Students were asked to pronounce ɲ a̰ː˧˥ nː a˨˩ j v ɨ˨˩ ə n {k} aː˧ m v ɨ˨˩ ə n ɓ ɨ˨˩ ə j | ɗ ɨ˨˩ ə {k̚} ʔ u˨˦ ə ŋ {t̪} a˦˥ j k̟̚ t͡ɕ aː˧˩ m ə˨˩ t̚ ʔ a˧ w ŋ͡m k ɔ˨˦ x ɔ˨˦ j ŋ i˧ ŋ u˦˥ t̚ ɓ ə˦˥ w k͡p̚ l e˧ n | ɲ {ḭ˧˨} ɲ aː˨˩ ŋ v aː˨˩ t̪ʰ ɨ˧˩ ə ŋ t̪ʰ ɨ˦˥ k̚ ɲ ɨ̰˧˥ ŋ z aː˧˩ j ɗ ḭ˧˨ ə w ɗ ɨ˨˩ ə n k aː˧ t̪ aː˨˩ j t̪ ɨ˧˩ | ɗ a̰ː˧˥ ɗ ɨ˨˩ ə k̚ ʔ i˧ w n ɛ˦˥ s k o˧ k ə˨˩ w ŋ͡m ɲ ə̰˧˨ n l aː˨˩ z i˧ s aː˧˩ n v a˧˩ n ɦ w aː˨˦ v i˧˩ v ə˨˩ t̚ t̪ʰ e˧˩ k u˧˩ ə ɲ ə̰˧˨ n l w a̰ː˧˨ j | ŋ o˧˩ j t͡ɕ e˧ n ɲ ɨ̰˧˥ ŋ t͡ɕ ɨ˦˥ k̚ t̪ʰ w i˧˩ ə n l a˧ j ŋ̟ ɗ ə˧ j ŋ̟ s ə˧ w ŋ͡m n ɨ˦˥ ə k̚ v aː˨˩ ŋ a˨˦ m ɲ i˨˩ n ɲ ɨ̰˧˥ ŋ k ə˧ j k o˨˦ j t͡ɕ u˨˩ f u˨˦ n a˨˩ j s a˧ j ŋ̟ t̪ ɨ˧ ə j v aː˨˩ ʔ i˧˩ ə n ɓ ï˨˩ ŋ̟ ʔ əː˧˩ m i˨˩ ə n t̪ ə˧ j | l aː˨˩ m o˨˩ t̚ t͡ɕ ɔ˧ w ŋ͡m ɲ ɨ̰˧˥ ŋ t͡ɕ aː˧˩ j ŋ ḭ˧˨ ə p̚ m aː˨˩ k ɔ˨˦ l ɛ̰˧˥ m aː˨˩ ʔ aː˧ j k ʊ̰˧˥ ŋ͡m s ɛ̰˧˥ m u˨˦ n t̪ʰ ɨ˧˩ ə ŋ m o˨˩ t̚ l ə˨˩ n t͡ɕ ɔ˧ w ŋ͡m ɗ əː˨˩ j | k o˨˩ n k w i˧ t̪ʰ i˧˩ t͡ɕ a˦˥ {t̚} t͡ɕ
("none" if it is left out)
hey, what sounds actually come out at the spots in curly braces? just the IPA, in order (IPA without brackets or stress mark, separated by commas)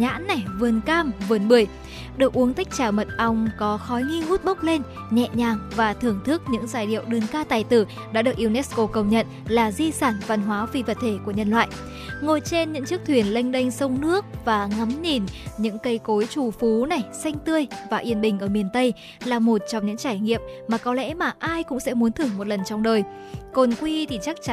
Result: k, k̚, t̪, ɛ̰˧˨, k̚